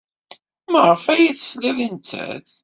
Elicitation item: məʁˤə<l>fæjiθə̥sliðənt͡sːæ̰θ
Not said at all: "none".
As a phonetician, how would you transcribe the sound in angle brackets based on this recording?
none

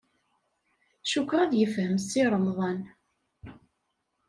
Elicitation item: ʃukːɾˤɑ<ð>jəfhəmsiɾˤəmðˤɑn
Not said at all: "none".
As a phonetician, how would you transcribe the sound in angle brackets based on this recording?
ð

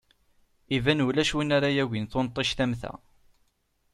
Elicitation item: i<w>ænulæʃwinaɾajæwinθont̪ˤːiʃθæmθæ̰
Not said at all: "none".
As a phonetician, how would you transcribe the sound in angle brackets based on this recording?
v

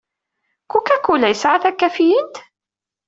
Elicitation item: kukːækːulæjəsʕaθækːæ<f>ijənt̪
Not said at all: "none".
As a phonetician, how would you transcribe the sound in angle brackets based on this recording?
f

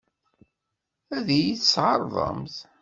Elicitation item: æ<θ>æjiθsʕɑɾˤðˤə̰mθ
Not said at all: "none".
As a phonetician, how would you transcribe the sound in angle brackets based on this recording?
ð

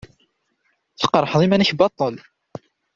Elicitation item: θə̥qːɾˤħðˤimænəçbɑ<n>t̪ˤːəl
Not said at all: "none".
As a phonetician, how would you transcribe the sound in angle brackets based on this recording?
none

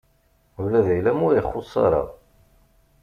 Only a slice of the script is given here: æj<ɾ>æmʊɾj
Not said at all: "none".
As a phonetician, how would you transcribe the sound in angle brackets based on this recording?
l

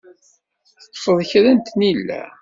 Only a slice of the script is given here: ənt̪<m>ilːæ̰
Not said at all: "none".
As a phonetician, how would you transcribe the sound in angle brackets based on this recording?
n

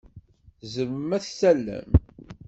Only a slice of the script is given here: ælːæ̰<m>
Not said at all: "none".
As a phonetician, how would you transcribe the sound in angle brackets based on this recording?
m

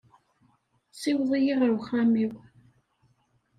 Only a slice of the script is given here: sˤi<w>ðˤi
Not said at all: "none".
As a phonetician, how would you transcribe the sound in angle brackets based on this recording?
w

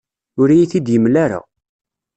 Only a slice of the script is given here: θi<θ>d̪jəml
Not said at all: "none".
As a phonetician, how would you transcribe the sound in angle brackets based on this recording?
none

